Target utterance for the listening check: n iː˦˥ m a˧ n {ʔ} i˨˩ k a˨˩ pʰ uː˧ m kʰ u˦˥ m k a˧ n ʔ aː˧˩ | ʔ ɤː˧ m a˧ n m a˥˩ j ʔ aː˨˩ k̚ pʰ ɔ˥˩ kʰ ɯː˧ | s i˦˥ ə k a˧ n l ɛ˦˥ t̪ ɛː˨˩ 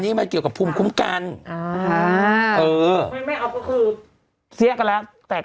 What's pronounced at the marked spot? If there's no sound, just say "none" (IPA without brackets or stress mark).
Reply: k